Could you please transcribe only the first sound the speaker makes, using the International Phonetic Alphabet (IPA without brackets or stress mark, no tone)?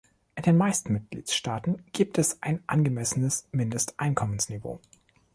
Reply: ʔ